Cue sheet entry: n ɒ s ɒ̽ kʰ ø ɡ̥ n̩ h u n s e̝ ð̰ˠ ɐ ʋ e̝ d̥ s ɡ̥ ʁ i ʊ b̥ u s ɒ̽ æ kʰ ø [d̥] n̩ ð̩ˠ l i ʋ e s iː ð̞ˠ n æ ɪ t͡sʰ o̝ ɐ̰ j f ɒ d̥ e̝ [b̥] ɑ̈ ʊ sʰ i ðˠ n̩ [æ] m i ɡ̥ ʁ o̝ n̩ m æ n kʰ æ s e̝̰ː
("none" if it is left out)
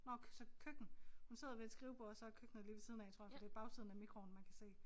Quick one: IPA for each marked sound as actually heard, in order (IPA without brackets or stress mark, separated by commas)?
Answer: ɡ̥, b̥, æ